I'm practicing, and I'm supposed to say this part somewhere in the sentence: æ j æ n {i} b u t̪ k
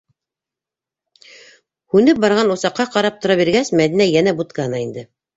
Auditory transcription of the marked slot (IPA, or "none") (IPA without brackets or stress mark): æ